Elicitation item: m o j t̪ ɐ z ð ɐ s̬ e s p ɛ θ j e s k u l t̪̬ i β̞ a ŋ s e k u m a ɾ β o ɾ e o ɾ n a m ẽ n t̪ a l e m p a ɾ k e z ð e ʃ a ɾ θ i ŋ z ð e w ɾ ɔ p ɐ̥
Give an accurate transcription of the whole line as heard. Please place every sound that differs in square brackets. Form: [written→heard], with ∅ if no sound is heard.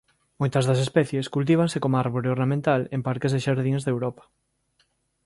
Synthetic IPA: m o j t̪ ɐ z ð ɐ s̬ e s p ɛ θ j e s k u l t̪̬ i β̞ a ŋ s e k [u→o] m a ɾ β o ɾ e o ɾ n a m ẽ n t̪ a l e m p a ɾ k e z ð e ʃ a ɾ [θ→ð] i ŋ z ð e w ɾ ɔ p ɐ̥